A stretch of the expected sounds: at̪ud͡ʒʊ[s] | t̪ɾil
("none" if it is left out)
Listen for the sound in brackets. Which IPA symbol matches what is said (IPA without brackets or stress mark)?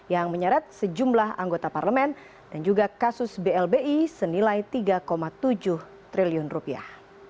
h